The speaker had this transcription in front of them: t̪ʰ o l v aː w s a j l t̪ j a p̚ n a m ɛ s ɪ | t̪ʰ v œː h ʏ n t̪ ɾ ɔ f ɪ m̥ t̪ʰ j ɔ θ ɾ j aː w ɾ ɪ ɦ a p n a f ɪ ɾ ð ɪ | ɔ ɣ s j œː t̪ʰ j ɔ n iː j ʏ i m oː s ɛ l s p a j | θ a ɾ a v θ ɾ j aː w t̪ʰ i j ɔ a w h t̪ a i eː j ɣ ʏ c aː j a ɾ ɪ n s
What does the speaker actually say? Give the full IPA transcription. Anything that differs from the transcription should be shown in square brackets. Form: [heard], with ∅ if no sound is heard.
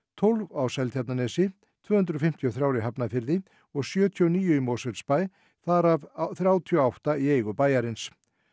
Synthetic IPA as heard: t̪ʰ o l v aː w s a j l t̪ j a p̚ n a [n] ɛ s ɪ | t̪ʰ v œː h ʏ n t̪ ɾ ɔ f ɪ m̥ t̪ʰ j ɔ θ ɾ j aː w ɾ ɪ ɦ a p n a f ɪ ɾ ð ɪ | ɔ ɣ s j œː t̪ʰ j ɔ n iː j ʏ i m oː s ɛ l s p a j | θ a ɾ a v θ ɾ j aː w t̪ʰ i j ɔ a w h t̪ a i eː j ɣ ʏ [p] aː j a ɾ ɪ n s